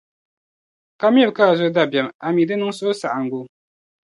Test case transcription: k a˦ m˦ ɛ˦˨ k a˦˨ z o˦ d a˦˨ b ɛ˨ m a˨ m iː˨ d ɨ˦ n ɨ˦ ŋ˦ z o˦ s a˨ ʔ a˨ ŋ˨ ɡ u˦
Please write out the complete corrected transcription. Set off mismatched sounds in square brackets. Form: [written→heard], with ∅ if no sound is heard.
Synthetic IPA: k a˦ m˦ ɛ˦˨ k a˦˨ z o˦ d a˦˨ b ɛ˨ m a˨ m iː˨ d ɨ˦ n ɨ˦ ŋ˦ [z→s] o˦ s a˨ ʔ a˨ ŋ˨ ɡ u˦